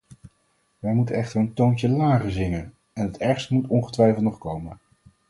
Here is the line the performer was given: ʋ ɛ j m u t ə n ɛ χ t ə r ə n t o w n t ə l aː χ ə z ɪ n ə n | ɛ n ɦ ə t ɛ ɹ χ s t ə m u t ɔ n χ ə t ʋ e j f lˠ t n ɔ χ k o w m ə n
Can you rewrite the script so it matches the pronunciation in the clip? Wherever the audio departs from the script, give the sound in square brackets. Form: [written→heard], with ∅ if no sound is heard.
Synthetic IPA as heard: ʋ ɛ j m u t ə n ɛ χ t ə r ə n t o w n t ə l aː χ ə z ɪ [n→ŋ] ə n | ɛ n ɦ ə t ɛ ɹ χ s t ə m u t ɔ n χ ə t ʋ [e→ɛ] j f lˠ t n ɔ χ k o w m ə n